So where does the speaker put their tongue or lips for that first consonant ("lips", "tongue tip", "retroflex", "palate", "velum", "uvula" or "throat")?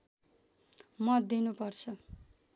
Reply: lips